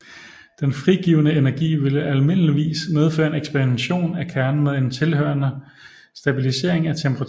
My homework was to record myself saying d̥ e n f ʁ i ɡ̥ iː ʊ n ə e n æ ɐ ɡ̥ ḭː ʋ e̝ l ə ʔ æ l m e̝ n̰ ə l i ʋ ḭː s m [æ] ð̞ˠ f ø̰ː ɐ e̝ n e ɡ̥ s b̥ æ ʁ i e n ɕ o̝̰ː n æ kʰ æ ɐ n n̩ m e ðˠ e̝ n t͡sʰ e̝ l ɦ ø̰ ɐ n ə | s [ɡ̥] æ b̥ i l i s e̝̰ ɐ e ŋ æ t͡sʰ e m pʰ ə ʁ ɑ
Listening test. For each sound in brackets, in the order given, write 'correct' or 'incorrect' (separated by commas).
incorrect, incorrect